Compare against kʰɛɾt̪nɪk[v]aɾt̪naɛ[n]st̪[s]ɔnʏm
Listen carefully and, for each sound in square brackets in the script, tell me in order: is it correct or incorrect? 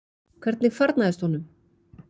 incorrect: f, incorrect: none, incorrect: h

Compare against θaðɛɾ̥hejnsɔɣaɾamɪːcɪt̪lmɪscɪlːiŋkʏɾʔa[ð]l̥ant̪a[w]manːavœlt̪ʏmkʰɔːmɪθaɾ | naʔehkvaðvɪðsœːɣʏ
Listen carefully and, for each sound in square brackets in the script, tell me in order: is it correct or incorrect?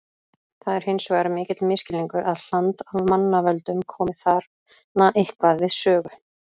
correct, incorrect: v

